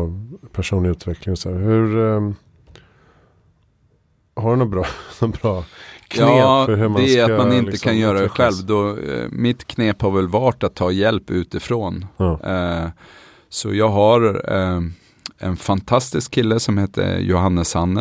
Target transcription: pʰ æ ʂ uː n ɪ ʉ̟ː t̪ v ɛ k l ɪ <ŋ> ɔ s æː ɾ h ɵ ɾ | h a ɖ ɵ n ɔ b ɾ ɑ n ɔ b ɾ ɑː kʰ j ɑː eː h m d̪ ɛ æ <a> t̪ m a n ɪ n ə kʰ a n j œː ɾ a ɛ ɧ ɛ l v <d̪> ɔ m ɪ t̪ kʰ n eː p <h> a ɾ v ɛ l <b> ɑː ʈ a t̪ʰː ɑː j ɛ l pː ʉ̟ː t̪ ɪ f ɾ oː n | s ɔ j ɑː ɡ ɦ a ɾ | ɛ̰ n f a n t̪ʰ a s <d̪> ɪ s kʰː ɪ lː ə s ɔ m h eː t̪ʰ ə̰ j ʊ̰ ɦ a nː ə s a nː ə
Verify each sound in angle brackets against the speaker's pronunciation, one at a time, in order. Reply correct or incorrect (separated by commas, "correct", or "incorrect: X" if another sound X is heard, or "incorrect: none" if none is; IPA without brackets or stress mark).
correct, correct, correct, correct, incorrect: v, incorrect: t̪